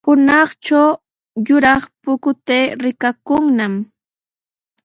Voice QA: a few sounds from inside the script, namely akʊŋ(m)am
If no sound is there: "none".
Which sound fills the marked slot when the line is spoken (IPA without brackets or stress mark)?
n